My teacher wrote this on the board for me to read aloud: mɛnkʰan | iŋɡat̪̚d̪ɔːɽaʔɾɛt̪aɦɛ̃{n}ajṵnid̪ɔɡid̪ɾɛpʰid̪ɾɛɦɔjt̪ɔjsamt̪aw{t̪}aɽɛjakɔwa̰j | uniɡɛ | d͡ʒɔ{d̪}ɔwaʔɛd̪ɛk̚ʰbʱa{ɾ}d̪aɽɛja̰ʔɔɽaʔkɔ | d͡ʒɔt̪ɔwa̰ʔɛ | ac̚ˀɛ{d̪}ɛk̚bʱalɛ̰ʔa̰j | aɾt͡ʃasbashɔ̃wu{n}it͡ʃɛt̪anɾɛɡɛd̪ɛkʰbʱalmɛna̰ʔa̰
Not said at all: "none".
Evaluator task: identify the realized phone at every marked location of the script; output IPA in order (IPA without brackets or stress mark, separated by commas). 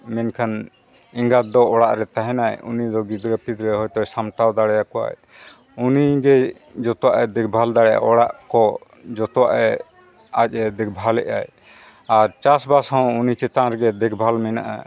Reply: n, d̪, t̪, l, d̪, n